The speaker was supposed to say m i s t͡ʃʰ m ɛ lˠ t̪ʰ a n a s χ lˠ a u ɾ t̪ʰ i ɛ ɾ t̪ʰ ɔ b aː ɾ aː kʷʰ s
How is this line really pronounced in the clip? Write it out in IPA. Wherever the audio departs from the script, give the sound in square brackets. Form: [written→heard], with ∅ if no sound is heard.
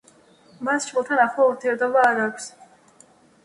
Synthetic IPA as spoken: m [i→a] s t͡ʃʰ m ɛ lˠ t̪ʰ a n a [s→∅] χ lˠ a u ɾ t̪ʰ i ɛ ɾ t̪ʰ ɔ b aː ɾ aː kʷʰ s